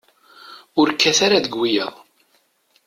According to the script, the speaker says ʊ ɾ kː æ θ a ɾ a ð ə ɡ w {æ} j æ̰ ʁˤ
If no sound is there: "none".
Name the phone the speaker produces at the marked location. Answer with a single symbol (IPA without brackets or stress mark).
i